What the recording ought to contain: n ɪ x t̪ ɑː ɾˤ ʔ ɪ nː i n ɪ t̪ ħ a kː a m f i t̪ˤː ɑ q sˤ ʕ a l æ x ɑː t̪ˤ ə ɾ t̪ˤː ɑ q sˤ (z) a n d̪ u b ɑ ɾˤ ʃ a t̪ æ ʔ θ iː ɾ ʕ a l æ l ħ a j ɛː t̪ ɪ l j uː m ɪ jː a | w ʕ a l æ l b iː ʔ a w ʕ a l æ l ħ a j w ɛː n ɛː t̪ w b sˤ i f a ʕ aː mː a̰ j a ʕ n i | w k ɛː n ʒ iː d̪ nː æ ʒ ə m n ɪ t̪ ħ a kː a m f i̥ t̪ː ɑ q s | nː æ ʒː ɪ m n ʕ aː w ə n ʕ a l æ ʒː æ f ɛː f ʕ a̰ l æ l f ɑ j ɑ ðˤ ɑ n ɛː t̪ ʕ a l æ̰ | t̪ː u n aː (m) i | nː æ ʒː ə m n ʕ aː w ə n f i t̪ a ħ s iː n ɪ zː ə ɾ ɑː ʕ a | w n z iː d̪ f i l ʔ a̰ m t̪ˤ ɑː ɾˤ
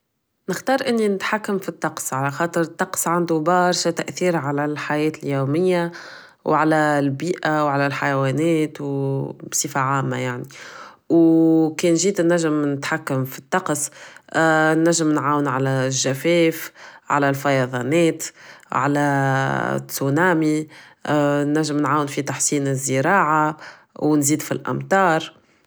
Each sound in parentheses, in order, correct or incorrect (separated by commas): incorrect, correct